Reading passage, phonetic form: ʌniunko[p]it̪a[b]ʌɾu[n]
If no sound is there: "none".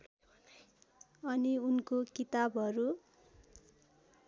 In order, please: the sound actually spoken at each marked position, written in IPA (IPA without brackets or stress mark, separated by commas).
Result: k, b, none